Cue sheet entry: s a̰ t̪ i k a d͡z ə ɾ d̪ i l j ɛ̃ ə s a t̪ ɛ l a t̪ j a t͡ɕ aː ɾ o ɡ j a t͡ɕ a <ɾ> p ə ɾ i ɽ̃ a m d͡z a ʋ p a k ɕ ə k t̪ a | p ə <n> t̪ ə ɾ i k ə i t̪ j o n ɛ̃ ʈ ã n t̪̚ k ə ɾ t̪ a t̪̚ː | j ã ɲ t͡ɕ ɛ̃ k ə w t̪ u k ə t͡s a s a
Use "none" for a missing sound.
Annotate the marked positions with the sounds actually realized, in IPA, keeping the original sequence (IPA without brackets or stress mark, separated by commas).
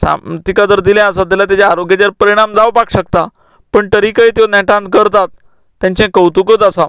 ɾ, ɳ